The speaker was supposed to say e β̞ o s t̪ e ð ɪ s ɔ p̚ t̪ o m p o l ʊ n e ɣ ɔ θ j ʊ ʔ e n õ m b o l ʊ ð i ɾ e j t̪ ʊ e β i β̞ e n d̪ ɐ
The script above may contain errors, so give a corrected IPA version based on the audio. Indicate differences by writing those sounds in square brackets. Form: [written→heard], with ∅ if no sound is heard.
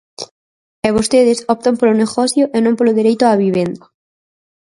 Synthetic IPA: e β̞ o s t̪ e ð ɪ s ɔ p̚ t̪ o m p o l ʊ n e ɣ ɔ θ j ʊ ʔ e n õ m [b→p] o l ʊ ð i ɾ e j t̪ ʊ [e→a] β i β̞ e n d̪ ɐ